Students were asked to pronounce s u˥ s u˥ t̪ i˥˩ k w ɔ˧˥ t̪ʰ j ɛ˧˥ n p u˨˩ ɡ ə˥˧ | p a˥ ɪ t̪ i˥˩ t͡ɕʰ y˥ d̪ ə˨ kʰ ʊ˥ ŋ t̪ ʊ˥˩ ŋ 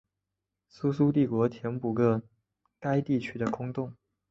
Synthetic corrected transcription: s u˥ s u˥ t̪ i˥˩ k w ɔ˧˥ t̪ʰ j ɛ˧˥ n p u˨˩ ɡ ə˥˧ | k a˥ ɪ t̪ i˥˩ t͡ɕʰ y˥ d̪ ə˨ kʰ ʊ˥ ŋ t̪ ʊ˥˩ ŋ

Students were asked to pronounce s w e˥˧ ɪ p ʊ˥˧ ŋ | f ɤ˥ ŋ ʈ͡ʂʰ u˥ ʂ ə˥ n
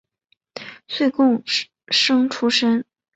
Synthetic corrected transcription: s w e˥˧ ɪ k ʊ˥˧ ŋ | ʂ ɤ˥ ŋ ʈ͡ʂʰ u˥ ʂ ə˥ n

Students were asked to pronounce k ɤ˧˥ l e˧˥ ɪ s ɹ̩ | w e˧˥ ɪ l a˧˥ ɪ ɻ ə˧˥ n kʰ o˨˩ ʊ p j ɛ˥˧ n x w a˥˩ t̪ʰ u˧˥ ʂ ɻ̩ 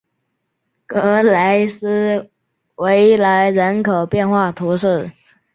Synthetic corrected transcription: k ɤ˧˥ l a˧˥ ɪ s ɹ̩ | w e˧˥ ɪ l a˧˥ ɪ ɻ ə˧˥ n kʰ o˨˩ ʊ p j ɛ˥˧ n x w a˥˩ t̪ʰ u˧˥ ʂ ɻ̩

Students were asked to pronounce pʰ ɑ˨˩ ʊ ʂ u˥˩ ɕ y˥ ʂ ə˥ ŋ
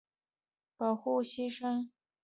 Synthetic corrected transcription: p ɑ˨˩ ʊ x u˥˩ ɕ i˥ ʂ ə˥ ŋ

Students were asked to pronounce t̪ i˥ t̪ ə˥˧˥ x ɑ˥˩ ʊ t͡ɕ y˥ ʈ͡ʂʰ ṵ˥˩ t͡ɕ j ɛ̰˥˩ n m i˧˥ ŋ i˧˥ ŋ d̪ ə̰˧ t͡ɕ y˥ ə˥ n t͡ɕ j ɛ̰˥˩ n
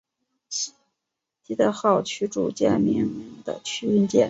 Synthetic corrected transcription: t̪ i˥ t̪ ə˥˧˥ x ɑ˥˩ ʊ t͡ɕʰ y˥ ʈ͡ʂ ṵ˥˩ t͡ɕ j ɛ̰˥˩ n m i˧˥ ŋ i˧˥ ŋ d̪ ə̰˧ t͡ɕʰ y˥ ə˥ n t͡ɕ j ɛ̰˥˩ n

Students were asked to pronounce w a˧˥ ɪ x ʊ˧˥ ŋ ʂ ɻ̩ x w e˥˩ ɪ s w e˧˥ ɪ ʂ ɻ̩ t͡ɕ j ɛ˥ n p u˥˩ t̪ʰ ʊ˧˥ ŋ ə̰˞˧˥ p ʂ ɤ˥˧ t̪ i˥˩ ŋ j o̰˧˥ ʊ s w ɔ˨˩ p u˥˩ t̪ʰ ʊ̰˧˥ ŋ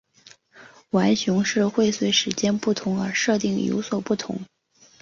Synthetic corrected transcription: w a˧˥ ɪ ɕ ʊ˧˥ ŋ ʂ ɻ̩ x w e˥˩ ɪ s w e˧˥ ɪ ʂ ɻ̩ t͡ɕ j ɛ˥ n p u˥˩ t̪ʰ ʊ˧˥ ŋ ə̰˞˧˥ ʂ ɤ˥˧ t̪ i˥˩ ŋ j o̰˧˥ ʊ s w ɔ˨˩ p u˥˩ t̪ʰ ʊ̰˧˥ ŋ

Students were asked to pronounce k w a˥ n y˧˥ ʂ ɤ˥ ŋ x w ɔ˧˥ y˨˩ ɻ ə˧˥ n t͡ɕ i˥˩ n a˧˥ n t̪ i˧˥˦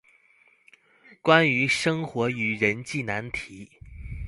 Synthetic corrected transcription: k w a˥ n y˧˥ ʂ ɤ˥ ŋ x w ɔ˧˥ y˨˩ ɻ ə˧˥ n t͡ɕ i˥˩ n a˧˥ n t̪ʰ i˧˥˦

